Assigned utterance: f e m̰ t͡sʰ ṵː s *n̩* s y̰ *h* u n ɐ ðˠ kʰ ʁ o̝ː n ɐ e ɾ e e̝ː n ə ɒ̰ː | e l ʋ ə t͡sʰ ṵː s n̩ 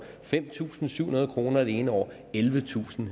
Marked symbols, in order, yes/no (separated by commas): yes, yes